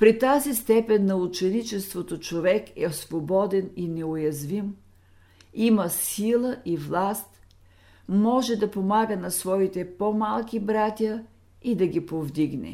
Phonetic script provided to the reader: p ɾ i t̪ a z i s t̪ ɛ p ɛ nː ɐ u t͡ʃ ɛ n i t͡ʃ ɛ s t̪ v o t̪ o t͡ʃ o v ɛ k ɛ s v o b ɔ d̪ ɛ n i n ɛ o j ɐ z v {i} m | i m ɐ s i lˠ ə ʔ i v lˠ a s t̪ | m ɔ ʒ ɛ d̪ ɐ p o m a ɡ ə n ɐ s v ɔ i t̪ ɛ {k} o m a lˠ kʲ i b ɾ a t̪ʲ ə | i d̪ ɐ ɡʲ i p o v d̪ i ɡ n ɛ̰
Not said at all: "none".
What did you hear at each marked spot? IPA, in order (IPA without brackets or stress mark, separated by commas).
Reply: i, p